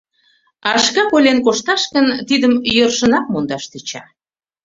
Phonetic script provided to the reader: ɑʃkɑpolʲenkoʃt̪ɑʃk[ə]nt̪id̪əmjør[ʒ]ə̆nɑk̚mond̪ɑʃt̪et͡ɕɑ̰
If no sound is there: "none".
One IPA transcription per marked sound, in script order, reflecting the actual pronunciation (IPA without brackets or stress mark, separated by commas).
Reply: ə, ʃ